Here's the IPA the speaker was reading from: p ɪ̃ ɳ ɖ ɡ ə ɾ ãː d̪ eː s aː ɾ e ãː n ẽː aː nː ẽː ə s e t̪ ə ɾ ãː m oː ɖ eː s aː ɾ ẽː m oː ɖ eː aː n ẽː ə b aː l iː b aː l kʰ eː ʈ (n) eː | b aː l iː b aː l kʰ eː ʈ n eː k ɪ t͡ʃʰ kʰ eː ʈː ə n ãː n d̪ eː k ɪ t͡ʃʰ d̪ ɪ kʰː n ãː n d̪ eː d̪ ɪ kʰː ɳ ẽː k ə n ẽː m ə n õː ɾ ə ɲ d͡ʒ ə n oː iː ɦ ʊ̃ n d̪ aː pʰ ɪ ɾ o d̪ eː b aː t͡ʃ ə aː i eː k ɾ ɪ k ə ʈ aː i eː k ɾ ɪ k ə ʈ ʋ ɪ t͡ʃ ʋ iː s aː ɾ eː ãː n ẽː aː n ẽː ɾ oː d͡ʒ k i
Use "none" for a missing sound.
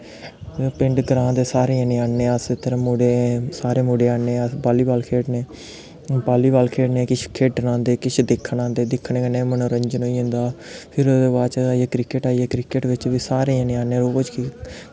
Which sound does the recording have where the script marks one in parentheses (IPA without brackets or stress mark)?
n